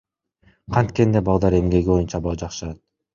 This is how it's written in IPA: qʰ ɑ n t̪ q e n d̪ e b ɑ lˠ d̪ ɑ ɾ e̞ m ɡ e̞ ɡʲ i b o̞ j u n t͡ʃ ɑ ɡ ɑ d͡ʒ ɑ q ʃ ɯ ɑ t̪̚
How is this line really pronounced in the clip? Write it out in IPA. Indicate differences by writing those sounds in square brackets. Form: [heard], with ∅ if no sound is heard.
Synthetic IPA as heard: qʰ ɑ n t̪ [k] e n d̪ e b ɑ lˠ d̪ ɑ ɾ e̞ m ɡ e̞ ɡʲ i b o̞ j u n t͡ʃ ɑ [b] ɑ d͡ʒ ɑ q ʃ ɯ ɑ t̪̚